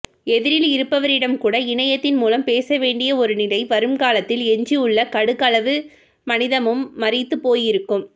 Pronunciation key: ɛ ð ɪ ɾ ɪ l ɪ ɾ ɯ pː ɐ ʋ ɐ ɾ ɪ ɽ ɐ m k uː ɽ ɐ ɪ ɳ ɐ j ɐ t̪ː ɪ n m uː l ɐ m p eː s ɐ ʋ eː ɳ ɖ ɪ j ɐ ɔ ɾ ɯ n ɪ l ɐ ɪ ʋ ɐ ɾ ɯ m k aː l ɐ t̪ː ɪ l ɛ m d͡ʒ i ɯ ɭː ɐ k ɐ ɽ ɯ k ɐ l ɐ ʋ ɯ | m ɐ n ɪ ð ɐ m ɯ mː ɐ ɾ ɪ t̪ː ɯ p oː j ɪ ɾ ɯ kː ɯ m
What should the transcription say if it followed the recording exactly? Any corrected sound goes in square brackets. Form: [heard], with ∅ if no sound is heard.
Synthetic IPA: ɛ ð ɪ ɾ ɪ l ɪ ɾ ɯ pː ɐ ʋ ɐ ɾ ɪ ɽ ɐ m k uː ɽ ɐ ɪ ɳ ɐ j ɐ t̪ː ɪ n m uː l ɐ m p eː s ɐ ʋ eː ɳ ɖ ɪ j ɐ ɔ ɾ ɯ n ɪ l ɐ ɪ ʋ ɐ ɾ ɯ m k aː l ɐ t̪ː ɪ l ɛ [ɲ] d͡ʒ i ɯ ɭː ɐ k ɐ ɽ ɯ k ɐ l ɐ ʋ ɯ | m ɐ n ɪ ð ɐ m ɯ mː ɐ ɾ ɪ t̪ː ɯ p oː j ɪ ɾ ɯ kː ɯ m